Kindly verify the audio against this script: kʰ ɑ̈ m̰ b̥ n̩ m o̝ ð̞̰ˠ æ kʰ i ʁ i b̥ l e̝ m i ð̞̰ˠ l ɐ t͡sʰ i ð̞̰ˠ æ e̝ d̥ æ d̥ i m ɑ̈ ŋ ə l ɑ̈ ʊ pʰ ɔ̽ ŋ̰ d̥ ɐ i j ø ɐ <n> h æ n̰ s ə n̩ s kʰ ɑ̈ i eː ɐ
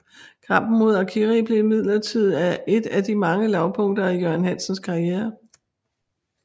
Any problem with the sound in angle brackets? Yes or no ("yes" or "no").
no